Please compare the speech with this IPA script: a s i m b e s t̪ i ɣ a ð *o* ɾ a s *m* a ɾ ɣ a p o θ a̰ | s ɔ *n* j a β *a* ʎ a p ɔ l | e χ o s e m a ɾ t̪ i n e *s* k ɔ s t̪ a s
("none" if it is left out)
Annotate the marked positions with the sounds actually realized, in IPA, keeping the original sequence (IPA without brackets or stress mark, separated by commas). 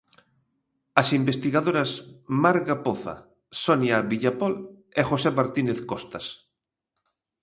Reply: o, m, n, i, θ